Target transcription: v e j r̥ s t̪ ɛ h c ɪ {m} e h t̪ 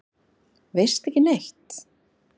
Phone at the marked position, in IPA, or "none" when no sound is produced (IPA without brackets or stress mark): n